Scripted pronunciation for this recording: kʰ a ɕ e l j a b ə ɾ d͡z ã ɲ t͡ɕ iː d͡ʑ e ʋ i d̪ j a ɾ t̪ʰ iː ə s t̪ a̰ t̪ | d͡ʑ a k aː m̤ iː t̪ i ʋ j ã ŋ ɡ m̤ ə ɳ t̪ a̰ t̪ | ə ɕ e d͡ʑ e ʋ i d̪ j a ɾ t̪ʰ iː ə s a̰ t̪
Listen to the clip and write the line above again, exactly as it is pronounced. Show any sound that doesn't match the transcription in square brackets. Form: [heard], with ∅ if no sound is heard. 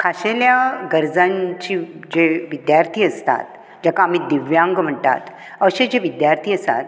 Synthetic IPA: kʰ a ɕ e l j a [ɡ] ə ɾ d͡z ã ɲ t͡ɕ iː d͡ʑ e ʋ i d̪ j a ɾ t̪ʰ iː ə s t̪ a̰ t̪ | d͡ʑ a k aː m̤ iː [d̪] i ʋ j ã ŋ ɡ m̤ ə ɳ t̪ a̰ t̪ | ə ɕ e d͡ʑ e ʋ i d̪ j a ɾ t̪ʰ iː ə s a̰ t̪